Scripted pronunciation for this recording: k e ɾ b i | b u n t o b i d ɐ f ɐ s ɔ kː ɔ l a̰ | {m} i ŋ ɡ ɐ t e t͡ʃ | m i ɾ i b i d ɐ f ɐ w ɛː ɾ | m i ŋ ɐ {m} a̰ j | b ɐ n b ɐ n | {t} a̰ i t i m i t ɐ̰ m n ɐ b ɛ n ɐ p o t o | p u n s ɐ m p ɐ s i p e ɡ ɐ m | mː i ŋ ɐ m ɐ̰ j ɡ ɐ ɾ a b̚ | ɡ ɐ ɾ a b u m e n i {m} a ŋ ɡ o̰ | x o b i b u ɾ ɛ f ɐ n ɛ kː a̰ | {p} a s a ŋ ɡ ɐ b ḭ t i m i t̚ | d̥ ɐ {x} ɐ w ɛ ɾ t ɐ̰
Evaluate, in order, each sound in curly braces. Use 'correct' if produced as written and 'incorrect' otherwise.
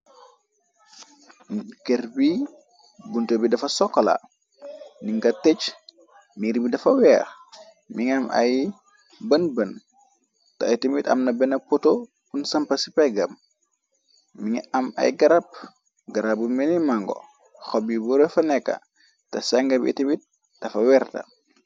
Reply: incorrect: n, correct, correct, correct, incorrect: t, incorrect: f

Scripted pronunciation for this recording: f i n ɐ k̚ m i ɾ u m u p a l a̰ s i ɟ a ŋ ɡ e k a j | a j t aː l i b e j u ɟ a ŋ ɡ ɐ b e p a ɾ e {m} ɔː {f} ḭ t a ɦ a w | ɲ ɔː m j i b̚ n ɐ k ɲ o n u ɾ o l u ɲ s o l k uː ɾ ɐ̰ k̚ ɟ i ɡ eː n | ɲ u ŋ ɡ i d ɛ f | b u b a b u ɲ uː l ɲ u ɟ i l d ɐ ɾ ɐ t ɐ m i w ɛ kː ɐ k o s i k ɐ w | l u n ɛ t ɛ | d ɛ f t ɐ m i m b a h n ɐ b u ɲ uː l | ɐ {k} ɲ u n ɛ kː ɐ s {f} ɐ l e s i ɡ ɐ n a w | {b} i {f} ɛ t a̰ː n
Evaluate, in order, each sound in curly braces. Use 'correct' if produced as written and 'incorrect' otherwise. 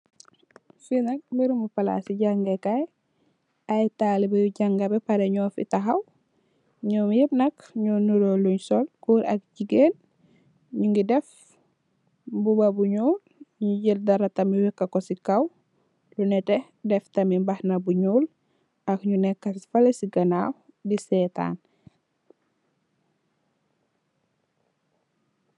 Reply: incorrect: ɲ, correct, correct, correct, incorrect: d, incorrect: s

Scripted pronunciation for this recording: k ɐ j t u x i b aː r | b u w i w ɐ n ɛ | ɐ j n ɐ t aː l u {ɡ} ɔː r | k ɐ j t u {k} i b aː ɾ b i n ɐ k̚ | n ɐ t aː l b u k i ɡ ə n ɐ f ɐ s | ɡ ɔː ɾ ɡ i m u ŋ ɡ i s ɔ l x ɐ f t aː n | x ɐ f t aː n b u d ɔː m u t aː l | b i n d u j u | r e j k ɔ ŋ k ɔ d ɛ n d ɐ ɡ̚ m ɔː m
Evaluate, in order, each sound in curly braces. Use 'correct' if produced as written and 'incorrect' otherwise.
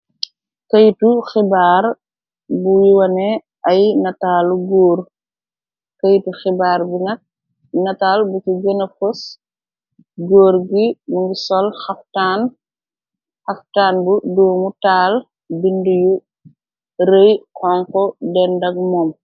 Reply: correct, incorrect: x

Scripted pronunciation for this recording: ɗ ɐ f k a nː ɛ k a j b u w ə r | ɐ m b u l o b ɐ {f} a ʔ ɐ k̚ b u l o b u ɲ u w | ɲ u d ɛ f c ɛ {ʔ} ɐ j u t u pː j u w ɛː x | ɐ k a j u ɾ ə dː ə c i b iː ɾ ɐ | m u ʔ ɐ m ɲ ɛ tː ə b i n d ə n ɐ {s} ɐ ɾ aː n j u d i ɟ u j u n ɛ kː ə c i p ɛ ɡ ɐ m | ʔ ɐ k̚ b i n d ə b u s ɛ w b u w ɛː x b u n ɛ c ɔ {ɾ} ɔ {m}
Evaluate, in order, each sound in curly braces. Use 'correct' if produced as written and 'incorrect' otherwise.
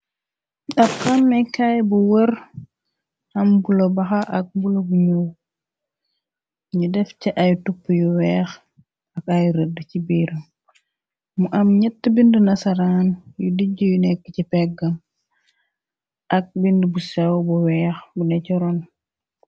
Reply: incorrect: x, correct, correct, correct, incorrect: n

